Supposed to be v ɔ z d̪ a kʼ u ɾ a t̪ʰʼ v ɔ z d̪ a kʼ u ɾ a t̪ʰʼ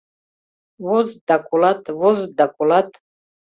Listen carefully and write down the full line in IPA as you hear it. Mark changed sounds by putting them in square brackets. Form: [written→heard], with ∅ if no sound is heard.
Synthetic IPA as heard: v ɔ z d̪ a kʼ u [ɾ→l] a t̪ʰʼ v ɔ z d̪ a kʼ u [ɾ→l] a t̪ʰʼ